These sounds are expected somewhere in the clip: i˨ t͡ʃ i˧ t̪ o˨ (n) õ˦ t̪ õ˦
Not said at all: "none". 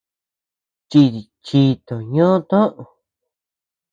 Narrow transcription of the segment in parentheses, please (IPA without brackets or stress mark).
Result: ɲ